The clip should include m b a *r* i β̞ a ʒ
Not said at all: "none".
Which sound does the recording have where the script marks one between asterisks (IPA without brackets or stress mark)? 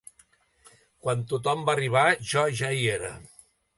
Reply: r